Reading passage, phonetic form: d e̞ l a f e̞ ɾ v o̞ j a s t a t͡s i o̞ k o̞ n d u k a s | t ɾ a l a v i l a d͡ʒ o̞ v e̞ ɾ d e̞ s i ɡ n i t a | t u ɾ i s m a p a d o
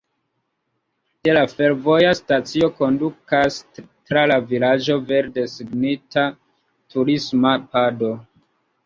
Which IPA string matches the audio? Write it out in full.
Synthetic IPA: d e̞ l a f e̞ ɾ v o̞ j a s t a t͡s i o̞ k o̞ n d u k a s | t ɾ a l a v i l a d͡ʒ o̞ v e̞ ɾ d e̞ s i ɡ n i t a | t u ɾ i s m a p a d o